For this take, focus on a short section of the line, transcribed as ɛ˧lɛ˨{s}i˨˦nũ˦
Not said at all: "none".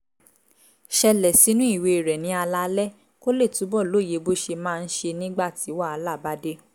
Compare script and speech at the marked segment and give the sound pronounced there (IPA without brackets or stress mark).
s